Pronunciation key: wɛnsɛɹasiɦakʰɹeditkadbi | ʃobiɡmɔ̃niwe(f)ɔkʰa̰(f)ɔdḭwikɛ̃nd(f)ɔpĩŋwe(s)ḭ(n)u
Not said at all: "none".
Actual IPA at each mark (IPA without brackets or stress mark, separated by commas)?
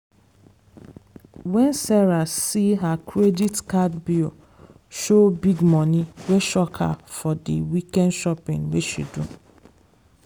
ʃ, f, ʃ, ʃ, d